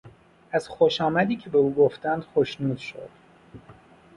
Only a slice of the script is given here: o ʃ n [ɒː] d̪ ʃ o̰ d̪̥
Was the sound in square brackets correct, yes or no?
no